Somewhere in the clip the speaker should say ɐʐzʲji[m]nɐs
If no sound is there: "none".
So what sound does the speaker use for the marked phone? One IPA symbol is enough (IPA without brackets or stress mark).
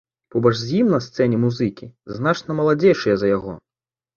m